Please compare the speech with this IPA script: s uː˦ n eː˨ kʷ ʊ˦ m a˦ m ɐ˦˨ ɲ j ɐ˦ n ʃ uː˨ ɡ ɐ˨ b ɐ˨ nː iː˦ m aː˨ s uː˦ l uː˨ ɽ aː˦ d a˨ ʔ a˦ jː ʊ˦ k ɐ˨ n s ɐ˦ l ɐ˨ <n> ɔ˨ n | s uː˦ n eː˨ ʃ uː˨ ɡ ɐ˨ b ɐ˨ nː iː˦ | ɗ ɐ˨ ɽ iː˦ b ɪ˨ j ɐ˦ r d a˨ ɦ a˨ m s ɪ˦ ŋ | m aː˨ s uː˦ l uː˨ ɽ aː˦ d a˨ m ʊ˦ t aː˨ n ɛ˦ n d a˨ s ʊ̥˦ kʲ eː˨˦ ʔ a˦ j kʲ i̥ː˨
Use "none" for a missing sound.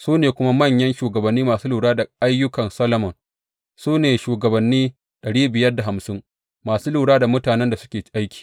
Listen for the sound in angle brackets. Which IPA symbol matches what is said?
m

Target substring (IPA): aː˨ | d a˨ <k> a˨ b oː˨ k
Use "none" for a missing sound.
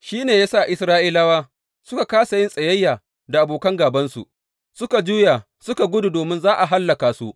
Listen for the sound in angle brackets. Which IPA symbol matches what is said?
ʔ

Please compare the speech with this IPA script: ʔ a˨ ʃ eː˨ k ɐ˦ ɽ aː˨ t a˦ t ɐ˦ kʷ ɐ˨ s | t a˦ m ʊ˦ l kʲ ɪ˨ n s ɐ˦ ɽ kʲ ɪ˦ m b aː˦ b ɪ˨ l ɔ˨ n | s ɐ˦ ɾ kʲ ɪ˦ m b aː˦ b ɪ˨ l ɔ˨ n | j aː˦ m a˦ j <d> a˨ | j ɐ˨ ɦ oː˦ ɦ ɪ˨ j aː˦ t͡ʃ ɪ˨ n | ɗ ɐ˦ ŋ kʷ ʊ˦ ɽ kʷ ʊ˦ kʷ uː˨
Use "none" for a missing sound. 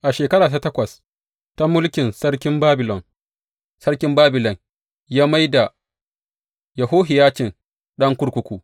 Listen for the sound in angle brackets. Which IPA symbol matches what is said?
d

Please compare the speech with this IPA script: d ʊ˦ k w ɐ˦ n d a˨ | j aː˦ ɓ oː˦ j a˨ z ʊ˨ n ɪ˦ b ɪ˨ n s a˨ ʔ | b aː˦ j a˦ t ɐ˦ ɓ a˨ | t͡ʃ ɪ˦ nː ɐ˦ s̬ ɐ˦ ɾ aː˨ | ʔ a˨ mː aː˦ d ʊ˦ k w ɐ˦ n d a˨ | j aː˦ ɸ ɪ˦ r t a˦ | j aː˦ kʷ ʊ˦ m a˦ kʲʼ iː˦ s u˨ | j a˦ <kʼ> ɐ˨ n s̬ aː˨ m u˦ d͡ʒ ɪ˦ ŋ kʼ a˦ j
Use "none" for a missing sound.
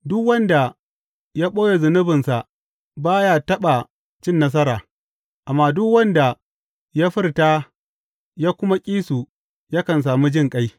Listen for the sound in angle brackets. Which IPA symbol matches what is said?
k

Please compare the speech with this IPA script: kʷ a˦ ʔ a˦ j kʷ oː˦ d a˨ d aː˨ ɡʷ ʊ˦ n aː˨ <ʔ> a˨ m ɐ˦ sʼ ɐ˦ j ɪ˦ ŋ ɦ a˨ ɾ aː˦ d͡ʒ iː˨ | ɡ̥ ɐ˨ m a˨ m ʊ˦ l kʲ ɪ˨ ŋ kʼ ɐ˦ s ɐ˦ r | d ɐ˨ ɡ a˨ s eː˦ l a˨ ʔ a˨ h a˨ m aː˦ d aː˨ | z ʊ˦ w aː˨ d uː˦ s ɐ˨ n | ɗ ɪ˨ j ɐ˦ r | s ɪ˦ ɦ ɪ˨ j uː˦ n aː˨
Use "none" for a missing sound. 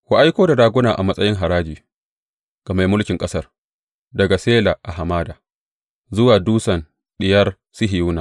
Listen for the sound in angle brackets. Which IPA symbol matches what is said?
ʔ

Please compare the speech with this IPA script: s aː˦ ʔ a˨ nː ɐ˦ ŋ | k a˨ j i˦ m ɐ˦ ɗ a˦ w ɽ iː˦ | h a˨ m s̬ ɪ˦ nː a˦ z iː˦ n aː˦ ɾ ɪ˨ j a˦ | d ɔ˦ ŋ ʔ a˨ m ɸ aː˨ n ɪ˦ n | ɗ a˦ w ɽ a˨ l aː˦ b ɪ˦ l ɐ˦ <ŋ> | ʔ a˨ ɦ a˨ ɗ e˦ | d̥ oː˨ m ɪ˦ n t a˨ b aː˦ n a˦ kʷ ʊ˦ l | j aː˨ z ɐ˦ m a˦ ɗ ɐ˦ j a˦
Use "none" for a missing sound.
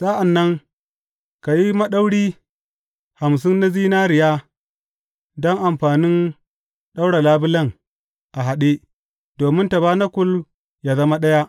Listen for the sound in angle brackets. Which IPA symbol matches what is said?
ŋ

